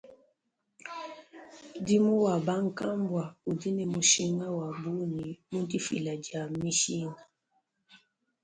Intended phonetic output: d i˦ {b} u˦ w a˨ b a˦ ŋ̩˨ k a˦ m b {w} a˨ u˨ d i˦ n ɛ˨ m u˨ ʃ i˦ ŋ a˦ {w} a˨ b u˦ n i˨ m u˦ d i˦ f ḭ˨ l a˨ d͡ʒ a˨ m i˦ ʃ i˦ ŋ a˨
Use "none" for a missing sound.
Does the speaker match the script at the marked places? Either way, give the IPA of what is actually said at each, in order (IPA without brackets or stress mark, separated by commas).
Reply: m, w, w